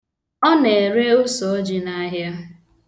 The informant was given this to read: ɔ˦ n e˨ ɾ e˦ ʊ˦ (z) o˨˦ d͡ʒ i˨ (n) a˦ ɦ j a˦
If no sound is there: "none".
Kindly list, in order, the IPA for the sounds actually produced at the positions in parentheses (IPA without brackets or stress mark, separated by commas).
s, n